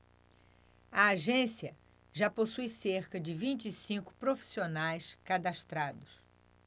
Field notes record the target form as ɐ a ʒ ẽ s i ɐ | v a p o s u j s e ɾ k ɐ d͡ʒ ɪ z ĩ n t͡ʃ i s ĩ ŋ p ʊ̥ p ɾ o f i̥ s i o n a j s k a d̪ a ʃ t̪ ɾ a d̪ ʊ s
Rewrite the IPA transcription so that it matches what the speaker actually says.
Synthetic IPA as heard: ɐ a ʒ ẽ s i ɐ | ʒ a p o s u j s e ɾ k ɐ d͡ʒ ɪ v ĩ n t͡ʃ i s ĩ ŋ k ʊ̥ p ɾ o f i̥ s i o n a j s k a d̪ a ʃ t̪ ɾ a d̪ ʊ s